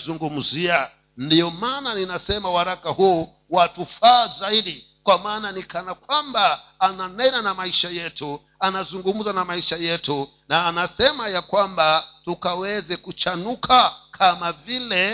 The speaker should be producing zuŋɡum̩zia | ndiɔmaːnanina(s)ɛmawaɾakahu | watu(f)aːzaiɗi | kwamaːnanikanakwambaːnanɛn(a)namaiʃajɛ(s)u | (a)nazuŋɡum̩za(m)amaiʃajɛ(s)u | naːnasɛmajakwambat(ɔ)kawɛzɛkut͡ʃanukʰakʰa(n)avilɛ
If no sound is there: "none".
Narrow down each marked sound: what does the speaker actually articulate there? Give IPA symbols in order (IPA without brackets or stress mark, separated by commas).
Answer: s, f, a, t, a, n, t, u, m